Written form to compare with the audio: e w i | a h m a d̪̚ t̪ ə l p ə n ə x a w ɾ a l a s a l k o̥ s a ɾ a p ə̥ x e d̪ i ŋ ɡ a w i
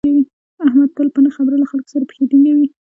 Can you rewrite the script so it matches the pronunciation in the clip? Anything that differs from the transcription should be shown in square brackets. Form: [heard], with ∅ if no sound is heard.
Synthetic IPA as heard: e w i | a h m a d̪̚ t̪ ə l p ə n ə x a [b] ɾ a l a [x] a l k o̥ s a ɾ a p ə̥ x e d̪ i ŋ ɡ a w i